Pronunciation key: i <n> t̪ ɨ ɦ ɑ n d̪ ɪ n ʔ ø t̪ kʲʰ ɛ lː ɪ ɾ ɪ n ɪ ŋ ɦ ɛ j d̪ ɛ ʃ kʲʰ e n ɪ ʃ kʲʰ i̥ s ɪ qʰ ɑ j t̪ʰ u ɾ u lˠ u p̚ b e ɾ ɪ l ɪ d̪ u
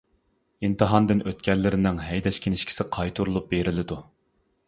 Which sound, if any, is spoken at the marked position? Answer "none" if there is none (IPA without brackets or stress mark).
n